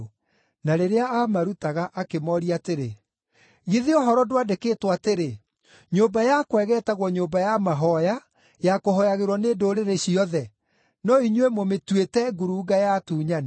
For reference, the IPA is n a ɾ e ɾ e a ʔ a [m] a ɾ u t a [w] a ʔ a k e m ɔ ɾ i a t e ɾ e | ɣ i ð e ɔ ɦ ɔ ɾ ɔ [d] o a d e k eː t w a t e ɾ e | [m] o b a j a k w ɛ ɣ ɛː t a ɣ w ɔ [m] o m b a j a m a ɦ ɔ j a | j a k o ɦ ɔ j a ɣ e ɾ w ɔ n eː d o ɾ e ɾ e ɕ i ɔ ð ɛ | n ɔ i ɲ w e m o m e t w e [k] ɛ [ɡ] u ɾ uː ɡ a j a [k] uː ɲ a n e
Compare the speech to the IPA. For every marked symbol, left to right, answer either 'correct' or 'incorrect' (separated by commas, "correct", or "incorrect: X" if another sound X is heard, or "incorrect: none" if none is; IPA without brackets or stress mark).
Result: correct, incorrect: ɣ, correct, incorrect: ɲ, incorrect: ɲ, incorrect: t, correct, incorrect: t